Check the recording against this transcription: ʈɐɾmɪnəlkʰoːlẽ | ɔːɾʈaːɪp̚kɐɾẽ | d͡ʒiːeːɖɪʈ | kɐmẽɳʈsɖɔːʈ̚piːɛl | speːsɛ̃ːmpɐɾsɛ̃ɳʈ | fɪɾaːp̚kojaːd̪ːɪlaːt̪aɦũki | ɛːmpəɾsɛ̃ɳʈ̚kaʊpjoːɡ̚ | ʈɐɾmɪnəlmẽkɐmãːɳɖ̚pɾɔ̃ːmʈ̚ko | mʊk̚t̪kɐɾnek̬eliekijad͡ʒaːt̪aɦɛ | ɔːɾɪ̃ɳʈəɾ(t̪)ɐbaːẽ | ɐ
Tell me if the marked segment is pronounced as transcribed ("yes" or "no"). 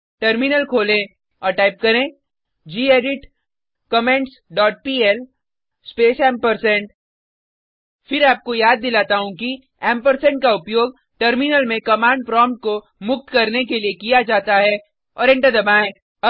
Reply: no